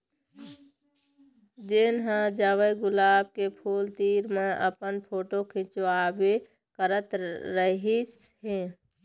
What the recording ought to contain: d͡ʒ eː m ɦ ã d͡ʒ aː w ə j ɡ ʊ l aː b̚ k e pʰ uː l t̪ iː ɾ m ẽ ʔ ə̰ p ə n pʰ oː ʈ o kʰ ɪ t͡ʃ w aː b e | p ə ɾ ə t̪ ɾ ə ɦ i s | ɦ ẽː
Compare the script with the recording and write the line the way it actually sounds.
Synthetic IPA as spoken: d͡ʒ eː n ɦ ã d͡ʒ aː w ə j ɡ ʊ l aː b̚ k e pʰ uː l t̪ iː ɾ m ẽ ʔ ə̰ p ə n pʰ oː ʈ o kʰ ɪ t͡ʃ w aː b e | k ə ɾ ə t̪ ɾ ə ɦ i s | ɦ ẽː